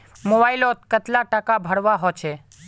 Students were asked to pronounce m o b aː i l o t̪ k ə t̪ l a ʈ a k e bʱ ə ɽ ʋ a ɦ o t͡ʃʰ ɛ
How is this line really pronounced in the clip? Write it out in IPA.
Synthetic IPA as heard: m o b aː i l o t̪ k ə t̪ l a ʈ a k a bʱ ə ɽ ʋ a ɦ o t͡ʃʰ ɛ